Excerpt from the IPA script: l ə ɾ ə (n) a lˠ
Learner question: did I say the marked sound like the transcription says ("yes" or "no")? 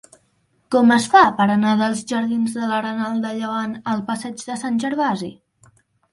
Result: yes